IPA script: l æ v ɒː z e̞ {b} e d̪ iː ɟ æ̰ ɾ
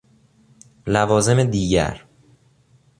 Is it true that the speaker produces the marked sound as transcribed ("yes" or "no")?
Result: no